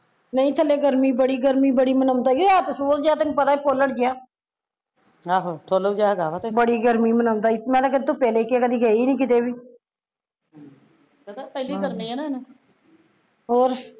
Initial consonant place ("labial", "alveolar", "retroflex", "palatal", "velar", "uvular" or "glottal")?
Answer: alveolar